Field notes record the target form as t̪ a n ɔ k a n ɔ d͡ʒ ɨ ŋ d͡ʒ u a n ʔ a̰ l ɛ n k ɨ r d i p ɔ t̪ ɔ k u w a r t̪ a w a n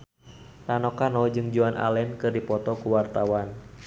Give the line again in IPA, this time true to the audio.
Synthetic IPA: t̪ a n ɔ k a n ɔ d͡ʒ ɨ ŋ d͡ʒ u a n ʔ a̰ l ɛ n k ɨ r d i p ɔ t̪ ɔ k u w a r t̪ a w a n